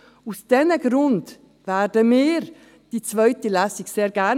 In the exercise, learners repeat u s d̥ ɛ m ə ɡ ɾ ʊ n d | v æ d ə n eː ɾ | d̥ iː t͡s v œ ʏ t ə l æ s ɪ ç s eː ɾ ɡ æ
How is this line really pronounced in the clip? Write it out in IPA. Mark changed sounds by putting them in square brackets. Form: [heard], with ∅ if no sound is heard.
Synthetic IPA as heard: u s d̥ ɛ [n] ə ɡ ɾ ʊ n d | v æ d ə [m] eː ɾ | d̥ iː t͡s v œ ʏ t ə l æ s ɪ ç s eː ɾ ɡ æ